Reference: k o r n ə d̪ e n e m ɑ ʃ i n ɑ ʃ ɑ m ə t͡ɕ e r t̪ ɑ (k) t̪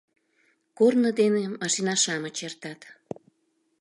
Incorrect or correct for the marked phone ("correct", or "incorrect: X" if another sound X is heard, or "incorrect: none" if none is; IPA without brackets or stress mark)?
incorrect: none